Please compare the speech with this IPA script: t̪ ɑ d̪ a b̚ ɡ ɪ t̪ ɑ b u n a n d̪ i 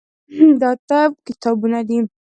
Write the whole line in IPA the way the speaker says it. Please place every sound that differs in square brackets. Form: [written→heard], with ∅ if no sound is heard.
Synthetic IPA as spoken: [t̪→d̪] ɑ [d̪→t̪] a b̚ [ɡ→k] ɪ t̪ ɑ b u n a [n→∅] d̪ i